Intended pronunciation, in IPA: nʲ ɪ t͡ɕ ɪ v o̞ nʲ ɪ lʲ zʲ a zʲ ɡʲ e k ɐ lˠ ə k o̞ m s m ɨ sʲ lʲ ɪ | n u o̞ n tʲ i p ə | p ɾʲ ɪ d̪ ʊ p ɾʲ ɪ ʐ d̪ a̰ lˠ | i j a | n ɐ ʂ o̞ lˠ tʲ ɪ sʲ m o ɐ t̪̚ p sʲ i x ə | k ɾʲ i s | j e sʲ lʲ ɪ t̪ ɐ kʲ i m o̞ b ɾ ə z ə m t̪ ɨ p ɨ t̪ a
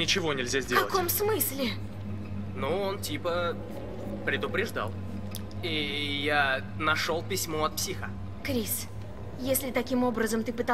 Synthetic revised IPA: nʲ ɪ t͡ɕ ɪ v o̞ nʲ ɪ lʲ zʲ a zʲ dʲ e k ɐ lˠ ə k o̞ m s m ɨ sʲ lʲ ɪ | n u o̞ n tʲ i p ə | p ɾʲ ɪ d̪ ʊ p ɾʲ ɪ ʐ d̪ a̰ lˠ | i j a | n ɐ ʂ o̞ lˠ pʲ ɪ sʲ m o ɐ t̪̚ p sʲ i x ə | k ɾʲ i s | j e sʲ lʲ ɪ t̪ ɐ kʲ i m o̞ b ɾ ə z ə m t̪ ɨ p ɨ t̪ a

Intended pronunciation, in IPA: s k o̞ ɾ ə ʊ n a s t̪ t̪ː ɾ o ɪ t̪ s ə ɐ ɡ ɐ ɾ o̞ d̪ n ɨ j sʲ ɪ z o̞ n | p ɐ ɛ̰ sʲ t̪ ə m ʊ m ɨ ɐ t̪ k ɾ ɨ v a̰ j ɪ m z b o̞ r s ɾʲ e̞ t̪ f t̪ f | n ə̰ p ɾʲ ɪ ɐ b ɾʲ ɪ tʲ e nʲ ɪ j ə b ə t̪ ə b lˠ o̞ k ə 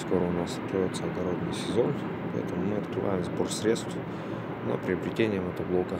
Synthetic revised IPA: s k o̞ ɾ ə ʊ n a s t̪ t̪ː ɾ o ɪ t̪ s ə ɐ ɡ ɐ ɾ o̞ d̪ n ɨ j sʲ ɪ z o̞ n | p ɐ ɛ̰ t̪ ə m ʊ m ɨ ɐ t̪ k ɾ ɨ v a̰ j ɪ m z b o̞ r s ɾʲ e̞ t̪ s t̪ f | n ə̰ p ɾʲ ɪ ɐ b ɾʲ ɪ tʲ e nʲ ɪ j ə m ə t̪ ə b lˠ o̞ k ə

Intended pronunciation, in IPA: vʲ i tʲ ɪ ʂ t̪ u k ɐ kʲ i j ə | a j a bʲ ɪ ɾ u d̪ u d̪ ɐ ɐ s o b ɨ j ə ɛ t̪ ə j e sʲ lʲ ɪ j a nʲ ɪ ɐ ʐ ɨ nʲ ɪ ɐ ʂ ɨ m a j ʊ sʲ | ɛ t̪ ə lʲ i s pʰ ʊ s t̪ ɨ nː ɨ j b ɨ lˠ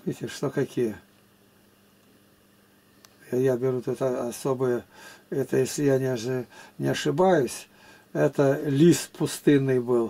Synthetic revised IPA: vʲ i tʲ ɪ ʂ t̪ o k ɐ kʲ i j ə | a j a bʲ ɪ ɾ u t̪ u t̪ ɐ ɐ s o b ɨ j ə ɛ t̪ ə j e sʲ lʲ ɪ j a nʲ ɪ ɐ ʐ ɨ nʲ ɪ ɐ ʂ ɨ b a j ʊ sʲ | ɛ t̪ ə lʲ i s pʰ ʊ s t̪ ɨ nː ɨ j b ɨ lˠ

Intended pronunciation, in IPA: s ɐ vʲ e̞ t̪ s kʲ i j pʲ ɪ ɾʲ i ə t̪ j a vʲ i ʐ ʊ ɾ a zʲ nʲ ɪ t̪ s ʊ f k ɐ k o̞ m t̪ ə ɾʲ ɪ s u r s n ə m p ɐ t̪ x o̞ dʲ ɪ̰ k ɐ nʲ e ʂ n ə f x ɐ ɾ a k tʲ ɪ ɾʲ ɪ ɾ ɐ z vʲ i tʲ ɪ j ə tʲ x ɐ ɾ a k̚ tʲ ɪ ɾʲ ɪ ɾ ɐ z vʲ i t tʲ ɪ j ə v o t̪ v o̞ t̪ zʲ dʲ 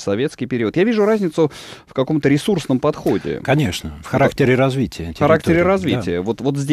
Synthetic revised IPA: s ɐ vʲ e̞ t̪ s kʲ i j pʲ ɪ ɾʲ i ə t̪ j a vʲ i ʐ ʊ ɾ a zʲ nʲ ɪ t̪ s ʊ f k ɐ k o̞ m t̪ ə ɾʲ ɪ s u r s n ə m p ɐ t̪ x o̞ dʲ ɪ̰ k ɐ nʲ e ʂ n ə f x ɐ ɾ a k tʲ ɪ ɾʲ ɪ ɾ ɐ z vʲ i tʲ ɪ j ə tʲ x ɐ ɾ a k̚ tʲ ɪ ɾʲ ɪ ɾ ɐ z vʲ i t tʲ ɪ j ə v o t̪ v o̞ t̪ zʲ dʲ

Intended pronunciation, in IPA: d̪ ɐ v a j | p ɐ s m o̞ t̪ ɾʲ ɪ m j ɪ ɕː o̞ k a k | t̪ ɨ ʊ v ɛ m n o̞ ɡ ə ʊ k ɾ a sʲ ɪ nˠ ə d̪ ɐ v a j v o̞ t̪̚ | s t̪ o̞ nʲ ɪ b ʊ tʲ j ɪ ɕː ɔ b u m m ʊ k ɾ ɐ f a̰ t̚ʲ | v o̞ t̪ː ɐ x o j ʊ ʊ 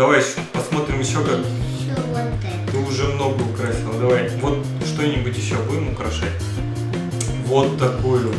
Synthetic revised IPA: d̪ ɐ v a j | p ɐ s m o̞ t̪ ɾʲ ɪ m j ɪ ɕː o̞ k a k | t̪ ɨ ʊ ʐ ɛ m n o̞ ɡ ə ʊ k ɾ a sʲ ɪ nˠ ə d̪ ɐ v a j v o̞ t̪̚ | ʂ t̪ o̞ nʲ ɪ b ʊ tʲ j ɪ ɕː o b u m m ʊ k ɾ ɐ ʂ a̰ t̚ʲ | v o̞ t̪ː ɐ k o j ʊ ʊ

